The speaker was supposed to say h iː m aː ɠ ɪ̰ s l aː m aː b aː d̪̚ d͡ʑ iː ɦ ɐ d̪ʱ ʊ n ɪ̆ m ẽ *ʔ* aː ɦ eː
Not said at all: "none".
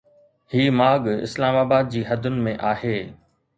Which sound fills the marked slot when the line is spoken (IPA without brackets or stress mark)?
ʔ